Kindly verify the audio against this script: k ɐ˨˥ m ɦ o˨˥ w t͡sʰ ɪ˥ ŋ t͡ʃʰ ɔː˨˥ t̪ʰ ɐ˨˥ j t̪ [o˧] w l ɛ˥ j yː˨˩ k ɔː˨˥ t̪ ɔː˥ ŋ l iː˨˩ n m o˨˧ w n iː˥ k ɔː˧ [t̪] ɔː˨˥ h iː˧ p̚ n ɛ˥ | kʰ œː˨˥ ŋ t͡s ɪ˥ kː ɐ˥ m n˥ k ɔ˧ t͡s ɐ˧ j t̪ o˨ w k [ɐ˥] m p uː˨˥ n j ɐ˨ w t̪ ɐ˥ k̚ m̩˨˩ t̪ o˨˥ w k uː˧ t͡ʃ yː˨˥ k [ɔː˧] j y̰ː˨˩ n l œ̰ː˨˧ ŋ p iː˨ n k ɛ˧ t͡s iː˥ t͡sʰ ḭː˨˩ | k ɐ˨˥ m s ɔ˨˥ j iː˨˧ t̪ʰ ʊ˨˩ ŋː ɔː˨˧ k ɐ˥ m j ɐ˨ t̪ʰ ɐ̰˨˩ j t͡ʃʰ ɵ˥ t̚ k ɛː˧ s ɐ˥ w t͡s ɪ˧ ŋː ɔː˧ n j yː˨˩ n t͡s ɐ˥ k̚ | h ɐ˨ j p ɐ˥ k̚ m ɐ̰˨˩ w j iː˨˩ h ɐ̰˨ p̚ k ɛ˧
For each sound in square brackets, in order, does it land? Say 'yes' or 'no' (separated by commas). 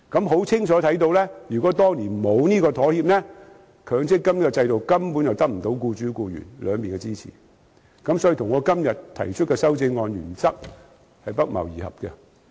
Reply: yes, no, yes, no